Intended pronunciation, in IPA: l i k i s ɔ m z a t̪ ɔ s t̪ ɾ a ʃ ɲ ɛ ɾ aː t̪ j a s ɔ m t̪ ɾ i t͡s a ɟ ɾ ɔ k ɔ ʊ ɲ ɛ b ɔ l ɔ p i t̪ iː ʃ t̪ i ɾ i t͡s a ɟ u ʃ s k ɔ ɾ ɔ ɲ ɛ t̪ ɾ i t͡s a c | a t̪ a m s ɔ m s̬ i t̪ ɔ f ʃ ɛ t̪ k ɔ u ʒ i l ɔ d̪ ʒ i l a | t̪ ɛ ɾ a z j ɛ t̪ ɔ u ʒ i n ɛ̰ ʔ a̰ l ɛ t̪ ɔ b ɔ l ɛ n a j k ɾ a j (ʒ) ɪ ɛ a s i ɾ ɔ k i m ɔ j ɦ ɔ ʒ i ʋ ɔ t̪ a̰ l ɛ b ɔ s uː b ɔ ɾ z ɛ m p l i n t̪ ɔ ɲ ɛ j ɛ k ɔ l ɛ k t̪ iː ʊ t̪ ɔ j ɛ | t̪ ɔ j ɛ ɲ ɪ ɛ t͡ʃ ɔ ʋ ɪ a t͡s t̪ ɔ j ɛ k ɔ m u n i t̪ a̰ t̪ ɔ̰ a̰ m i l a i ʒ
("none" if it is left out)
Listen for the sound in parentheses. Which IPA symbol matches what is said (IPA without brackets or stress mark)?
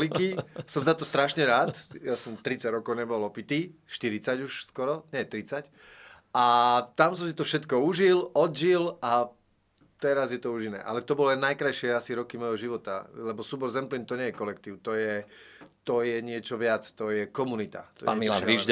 ʃ